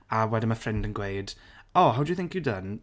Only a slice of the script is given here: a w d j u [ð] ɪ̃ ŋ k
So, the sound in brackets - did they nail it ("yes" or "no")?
no